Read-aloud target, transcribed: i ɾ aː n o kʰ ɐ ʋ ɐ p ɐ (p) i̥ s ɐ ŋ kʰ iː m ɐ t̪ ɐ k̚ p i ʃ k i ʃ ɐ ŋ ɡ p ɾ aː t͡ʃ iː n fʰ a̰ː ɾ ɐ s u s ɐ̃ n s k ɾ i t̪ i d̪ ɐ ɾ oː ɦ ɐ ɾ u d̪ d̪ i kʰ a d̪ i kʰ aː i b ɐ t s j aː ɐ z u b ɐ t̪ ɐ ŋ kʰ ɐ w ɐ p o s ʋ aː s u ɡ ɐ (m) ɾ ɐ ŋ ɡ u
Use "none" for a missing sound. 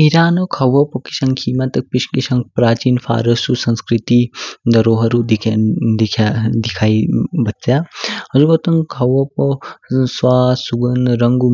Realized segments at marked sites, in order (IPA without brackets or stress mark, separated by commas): k, n